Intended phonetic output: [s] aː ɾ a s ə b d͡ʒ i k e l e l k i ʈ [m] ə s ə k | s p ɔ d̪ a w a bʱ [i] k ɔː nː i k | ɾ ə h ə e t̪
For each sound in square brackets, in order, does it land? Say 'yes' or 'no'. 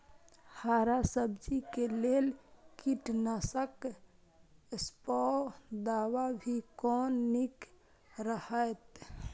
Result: no, no, yes

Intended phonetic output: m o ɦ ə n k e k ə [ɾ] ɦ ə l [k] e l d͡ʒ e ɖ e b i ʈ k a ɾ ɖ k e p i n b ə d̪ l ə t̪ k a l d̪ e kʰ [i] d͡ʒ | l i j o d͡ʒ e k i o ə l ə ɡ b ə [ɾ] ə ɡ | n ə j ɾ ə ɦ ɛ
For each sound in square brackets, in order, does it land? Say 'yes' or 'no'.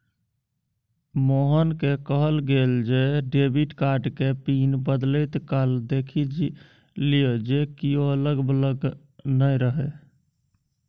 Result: no, no, yes, no

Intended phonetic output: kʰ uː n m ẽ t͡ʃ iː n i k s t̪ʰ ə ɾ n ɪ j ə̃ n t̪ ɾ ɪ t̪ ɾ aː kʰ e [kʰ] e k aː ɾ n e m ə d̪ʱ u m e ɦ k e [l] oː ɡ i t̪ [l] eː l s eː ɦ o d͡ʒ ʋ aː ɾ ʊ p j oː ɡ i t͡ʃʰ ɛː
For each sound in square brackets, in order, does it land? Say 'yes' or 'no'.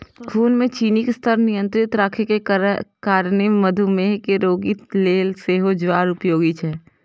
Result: no, no, yes

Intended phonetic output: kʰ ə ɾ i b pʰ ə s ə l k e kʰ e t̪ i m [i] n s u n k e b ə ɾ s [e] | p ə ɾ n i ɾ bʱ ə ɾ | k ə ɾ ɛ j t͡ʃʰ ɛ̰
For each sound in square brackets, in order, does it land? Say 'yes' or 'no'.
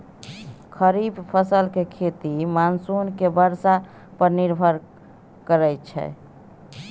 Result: no, no

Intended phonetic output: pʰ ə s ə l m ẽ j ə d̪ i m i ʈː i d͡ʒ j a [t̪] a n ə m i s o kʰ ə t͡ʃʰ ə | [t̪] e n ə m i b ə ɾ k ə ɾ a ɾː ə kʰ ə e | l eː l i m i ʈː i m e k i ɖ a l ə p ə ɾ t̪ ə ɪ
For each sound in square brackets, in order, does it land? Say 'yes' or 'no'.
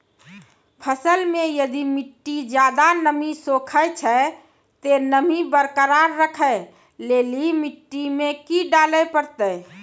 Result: no, yes

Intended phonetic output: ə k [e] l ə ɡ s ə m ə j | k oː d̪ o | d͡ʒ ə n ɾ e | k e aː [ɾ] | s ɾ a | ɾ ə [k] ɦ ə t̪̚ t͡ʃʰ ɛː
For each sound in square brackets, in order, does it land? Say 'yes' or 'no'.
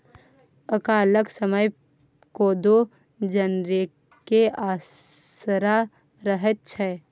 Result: no, no, no

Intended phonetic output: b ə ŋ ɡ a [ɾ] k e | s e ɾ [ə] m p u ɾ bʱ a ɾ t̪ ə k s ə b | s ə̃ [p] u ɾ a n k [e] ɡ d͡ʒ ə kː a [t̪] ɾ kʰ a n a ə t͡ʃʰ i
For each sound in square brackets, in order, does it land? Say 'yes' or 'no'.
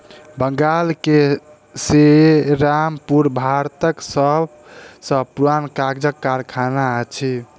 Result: no, no, yes, no, no

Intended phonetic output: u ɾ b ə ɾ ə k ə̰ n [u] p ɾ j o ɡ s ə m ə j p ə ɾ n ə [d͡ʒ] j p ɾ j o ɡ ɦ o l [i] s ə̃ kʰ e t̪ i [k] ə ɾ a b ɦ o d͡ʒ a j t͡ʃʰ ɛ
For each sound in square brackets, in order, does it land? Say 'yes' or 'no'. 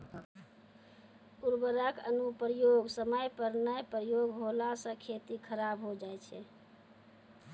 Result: yes, no, no, no

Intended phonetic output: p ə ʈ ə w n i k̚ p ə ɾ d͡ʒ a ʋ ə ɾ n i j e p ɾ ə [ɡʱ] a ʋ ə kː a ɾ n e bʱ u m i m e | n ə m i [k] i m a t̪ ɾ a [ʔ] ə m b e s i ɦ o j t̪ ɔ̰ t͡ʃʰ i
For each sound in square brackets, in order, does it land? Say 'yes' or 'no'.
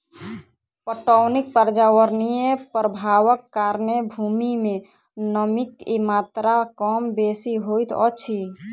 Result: no, yes, no

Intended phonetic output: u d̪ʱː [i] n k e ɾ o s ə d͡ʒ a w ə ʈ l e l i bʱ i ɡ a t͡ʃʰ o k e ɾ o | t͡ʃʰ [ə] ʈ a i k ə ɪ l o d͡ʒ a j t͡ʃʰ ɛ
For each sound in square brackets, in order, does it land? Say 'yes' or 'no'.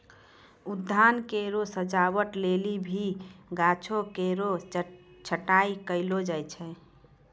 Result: no, yes

